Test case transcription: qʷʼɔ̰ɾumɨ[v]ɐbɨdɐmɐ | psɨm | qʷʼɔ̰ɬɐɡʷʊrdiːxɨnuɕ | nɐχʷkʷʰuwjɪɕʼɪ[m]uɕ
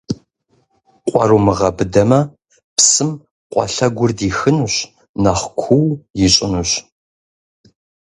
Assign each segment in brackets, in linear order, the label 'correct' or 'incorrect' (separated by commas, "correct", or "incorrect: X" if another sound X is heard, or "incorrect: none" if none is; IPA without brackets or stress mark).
incorrect: ʁ, incorrect: n